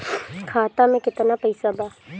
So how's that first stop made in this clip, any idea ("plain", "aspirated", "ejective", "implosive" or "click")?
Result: aspirated